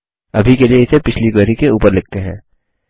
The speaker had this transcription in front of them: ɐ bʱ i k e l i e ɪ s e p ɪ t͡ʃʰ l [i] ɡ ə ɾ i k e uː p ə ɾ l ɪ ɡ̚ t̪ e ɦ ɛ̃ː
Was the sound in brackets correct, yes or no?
yes